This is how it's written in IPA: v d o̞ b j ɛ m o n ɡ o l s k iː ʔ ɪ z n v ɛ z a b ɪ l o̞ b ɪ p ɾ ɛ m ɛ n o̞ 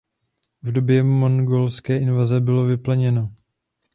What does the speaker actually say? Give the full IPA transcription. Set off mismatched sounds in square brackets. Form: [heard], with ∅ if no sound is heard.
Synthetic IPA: v d o̞ b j ɛ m o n ɡ o l s k [ɛː] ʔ ɪ [∅] n v [a] z [ɛ] b ɪ l o̞ [v] ɪ p [l] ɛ [ɲ] ɛ n o̞